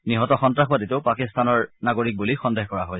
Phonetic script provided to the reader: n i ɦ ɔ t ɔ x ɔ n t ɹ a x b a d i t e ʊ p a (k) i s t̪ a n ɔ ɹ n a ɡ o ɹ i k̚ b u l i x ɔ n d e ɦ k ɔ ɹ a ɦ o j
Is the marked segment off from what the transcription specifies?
no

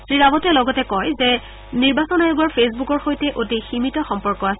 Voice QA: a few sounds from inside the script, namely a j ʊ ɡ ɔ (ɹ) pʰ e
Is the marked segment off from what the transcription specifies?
no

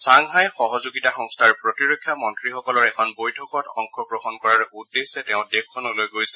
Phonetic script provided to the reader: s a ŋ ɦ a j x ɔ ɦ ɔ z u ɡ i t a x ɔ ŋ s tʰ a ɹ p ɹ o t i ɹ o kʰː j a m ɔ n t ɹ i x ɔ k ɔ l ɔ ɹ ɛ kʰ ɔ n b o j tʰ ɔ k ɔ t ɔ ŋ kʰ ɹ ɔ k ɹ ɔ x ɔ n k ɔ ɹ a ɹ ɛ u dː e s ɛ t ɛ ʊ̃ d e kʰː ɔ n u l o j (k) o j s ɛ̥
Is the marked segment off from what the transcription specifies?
yes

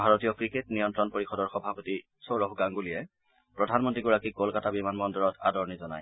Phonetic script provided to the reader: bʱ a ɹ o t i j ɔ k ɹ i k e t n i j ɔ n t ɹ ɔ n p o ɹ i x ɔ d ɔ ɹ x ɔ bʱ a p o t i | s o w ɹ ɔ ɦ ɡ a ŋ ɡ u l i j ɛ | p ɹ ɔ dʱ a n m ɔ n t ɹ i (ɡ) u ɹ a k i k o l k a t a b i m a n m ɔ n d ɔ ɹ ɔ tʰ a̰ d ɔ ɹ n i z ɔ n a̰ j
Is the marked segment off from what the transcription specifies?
no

